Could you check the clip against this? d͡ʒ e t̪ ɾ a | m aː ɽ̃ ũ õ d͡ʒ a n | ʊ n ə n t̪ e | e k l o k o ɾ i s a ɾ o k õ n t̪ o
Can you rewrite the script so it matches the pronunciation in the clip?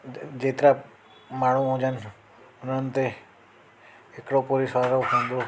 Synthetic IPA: d͡ʒ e t̪ ɾ a | m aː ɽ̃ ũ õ d͡ʒ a n | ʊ n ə n t̪ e | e k ɽ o p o ɾ i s a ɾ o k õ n d̪ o